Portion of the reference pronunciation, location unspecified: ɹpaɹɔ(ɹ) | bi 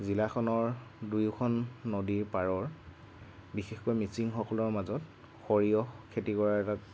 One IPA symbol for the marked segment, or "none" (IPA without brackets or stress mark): ɹ